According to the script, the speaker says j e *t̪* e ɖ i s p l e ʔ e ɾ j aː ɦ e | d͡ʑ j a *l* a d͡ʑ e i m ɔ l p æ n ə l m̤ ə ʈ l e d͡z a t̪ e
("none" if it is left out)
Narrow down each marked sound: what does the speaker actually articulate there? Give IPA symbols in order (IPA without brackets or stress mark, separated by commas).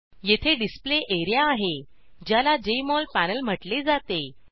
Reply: t̪ʰ, l